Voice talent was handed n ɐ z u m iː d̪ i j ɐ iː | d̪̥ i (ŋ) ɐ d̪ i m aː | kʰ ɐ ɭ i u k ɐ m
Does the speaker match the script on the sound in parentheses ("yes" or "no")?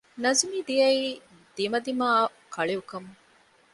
no